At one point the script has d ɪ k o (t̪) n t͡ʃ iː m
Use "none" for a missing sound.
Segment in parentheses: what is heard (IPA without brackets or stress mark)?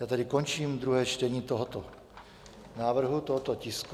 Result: none